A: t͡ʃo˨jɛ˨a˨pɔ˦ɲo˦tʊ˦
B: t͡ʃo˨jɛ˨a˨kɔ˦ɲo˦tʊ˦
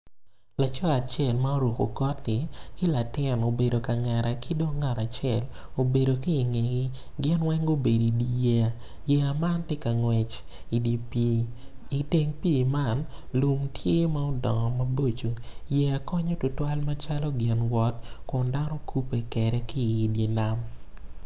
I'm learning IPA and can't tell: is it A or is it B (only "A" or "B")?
B